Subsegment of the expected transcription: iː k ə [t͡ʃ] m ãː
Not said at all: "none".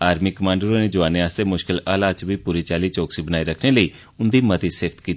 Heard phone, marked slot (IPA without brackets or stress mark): none